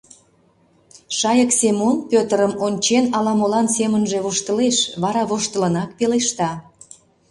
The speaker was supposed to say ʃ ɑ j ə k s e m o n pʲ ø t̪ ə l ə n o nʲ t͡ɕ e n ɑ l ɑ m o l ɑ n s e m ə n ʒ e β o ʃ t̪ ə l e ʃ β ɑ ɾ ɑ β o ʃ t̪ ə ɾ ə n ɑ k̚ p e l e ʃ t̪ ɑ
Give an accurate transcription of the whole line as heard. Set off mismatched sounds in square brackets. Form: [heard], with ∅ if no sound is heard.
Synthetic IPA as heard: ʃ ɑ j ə k s e m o n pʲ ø t̪ ə [ɾ] ə [m] o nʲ t͡ɕ e n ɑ l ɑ m o l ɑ n s e m ə n ʒ e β o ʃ t̪ ə l e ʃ β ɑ ɾ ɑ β o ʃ t̪ ə [l] ə n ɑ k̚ p e l e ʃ t̪ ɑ